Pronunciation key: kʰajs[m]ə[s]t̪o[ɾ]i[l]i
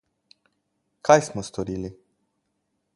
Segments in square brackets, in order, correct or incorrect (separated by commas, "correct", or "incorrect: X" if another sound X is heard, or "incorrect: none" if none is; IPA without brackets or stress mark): correct, correct, correct, correct